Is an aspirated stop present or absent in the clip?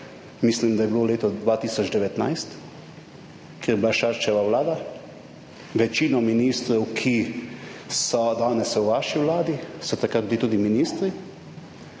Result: present